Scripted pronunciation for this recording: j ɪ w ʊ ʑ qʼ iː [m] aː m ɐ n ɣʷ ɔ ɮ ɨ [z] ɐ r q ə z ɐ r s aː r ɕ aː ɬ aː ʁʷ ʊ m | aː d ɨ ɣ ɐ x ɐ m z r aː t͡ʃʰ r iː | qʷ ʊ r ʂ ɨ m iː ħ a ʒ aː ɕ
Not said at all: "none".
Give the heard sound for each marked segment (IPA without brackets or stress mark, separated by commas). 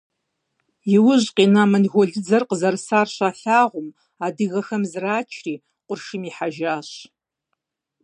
n, d͡z